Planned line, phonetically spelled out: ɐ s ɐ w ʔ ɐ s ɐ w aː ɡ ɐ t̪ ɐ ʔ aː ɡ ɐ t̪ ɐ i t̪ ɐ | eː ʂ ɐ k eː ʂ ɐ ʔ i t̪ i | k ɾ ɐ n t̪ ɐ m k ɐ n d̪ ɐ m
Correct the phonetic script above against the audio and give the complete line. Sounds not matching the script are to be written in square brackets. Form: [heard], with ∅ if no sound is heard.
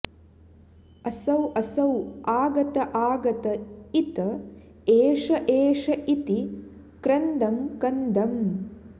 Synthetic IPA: ɐ s ɐ w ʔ ɐ s ɐ w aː ɡ ɐ t̪ ɐ ʔ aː ɡ ɐ t̪ ɐ i t̪ ɐ | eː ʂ ɐ [ʔ] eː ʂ ɐ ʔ i t̪ i | k ɾ ɐ n [d̪] ɐ m k ɐ n d̪ ɐ m